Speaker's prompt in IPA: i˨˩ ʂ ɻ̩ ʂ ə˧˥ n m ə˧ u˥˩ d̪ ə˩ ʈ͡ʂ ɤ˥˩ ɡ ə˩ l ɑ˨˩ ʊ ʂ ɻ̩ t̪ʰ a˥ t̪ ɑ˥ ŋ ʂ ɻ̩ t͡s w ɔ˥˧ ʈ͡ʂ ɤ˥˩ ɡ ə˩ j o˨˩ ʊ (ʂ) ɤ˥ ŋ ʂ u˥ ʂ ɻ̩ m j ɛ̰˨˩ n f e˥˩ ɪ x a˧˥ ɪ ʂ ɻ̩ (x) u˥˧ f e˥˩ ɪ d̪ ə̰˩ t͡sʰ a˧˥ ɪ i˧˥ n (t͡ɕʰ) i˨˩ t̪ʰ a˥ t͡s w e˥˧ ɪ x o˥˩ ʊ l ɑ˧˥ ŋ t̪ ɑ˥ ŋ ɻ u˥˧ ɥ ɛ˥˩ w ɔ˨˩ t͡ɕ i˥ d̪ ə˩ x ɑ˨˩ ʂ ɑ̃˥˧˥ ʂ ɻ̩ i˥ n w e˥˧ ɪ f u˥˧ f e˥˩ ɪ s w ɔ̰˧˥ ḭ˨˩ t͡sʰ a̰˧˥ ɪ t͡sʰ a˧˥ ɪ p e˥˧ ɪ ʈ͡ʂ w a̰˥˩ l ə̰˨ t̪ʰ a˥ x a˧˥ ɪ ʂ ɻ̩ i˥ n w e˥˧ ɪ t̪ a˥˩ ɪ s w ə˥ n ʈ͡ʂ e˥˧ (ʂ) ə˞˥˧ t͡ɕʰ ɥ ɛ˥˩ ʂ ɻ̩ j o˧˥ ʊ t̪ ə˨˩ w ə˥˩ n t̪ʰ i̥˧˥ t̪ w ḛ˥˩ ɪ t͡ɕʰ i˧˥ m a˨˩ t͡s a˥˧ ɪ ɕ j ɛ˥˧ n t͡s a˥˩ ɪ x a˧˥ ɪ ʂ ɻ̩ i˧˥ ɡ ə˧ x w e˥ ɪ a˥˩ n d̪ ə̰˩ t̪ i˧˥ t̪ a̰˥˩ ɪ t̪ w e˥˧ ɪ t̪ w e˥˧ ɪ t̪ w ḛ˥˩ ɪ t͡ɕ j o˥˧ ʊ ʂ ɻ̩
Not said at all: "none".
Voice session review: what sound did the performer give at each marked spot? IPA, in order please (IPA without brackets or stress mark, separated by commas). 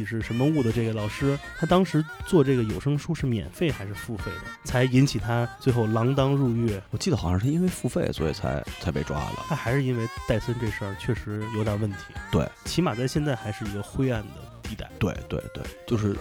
ʂ, f, t͡ɕʰ, ʂ